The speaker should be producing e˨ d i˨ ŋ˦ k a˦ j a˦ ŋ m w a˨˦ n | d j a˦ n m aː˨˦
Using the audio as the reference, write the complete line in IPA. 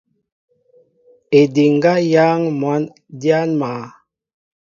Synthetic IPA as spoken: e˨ d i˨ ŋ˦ ɡ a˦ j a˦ ŋ m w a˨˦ n | d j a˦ n m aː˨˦

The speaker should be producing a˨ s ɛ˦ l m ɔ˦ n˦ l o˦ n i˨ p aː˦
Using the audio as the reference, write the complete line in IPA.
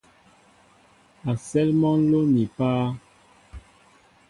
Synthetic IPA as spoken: a˨ s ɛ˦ l m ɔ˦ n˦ l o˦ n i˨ p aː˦

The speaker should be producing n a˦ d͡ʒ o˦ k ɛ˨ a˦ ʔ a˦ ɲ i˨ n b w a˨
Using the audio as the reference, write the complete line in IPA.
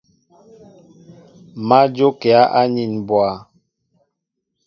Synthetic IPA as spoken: m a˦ d͡ʒ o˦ k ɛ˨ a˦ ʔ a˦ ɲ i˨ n b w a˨

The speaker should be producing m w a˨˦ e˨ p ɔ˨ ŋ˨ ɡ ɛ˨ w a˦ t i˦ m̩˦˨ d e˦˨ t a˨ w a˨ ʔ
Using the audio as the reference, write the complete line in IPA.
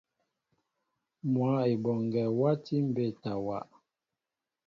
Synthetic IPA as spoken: m w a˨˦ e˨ b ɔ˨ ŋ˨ ɡ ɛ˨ w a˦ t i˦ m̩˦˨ b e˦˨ t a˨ w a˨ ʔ

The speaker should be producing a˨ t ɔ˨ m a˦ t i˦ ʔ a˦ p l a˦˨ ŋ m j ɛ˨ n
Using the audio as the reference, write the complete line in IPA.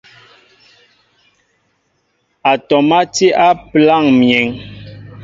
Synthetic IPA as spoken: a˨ t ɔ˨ m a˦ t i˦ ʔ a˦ p l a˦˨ ŋ m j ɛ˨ ŋ

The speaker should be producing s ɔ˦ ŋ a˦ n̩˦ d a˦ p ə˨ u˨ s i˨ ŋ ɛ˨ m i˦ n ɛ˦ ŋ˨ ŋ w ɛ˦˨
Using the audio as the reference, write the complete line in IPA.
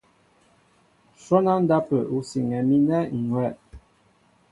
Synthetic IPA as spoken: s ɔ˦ n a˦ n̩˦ d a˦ p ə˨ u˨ s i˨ ŋ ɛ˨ m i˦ n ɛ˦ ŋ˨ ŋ w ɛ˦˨

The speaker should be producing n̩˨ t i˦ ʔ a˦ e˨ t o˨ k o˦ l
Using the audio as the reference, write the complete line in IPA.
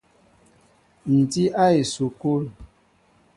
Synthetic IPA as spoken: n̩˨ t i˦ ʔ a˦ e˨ s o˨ k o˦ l

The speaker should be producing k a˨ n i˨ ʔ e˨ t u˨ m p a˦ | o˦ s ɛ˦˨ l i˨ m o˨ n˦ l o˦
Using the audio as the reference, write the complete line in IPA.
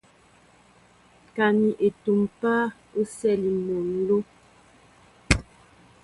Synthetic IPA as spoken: k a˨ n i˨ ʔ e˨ t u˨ m p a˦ | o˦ s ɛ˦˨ l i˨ m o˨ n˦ l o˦

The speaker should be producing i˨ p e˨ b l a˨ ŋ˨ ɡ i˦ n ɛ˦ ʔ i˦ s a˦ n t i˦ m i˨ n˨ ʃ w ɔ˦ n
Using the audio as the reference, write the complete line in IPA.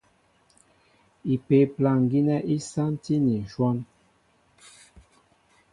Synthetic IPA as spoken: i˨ p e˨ p l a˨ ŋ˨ ɡ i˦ n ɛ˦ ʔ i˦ s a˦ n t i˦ n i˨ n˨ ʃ w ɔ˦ n

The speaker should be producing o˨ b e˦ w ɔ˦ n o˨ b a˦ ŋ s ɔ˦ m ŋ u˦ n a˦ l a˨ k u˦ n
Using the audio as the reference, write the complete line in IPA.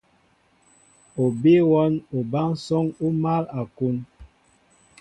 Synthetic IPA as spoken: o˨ b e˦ w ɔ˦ n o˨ b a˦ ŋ s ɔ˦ ŋ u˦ m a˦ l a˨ k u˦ n

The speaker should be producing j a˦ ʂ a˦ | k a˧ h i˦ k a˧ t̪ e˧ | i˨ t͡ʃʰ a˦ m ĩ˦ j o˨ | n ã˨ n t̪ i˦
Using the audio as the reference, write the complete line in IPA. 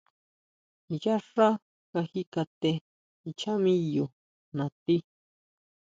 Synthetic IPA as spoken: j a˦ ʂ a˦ | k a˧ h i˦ k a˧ t̪ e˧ | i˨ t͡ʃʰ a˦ m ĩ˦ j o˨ | n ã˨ t̪ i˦

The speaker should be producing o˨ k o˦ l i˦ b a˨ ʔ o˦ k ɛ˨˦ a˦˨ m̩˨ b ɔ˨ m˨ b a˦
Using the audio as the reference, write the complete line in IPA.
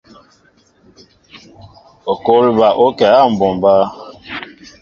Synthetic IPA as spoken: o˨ k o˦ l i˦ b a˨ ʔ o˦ k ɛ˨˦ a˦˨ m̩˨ b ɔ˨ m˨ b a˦

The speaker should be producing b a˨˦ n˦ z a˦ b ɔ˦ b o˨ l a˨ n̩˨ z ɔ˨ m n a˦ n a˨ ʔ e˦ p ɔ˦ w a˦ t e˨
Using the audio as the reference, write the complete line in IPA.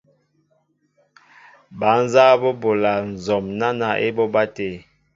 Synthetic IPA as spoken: b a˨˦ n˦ z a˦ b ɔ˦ b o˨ l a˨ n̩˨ z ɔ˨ m n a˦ n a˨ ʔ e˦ b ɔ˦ b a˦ t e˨

